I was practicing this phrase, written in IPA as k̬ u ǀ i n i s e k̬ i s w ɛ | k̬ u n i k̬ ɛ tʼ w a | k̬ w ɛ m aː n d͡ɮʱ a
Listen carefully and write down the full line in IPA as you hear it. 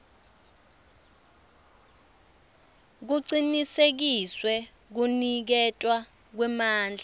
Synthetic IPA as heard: k̬ u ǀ i n i s e k̬ i s w ɛ | k̬ u n i k̬ ɛ tʼ w a | k̬ w ɛ m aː n d͡ɮʱ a